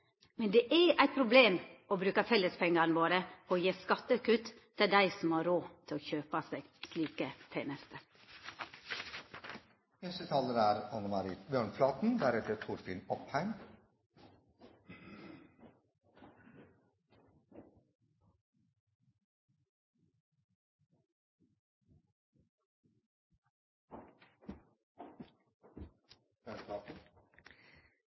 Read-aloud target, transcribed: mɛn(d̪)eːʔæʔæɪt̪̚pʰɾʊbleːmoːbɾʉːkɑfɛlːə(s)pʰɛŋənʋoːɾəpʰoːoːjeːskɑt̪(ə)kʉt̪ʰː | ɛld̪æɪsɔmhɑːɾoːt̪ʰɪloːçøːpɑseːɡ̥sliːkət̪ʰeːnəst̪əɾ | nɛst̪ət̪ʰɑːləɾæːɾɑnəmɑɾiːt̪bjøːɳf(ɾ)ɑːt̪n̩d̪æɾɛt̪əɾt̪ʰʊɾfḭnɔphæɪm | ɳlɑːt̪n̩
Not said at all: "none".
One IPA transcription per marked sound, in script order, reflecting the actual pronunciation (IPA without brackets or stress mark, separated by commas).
d̪, s, ə, l